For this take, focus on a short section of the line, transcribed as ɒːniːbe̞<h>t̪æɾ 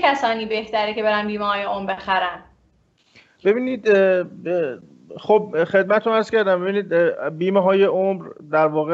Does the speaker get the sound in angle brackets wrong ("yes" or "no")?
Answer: no